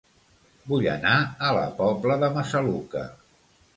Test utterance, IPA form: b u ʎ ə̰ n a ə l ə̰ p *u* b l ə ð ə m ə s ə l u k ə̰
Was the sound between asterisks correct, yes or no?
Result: no